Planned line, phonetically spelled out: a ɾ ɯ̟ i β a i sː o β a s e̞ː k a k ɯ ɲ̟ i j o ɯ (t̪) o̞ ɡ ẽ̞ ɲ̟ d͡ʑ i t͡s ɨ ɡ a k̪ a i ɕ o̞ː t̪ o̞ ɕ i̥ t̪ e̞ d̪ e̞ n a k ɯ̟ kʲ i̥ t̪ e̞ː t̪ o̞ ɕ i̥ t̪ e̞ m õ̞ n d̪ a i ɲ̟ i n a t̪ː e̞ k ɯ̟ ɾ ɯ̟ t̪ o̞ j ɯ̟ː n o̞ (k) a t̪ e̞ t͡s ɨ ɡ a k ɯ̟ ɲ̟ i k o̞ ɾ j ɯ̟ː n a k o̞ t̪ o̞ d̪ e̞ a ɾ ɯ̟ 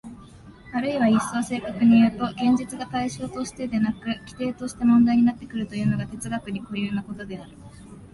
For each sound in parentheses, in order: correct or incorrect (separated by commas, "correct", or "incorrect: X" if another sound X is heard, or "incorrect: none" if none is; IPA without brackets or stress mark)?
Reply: correct, incorrect: ɡ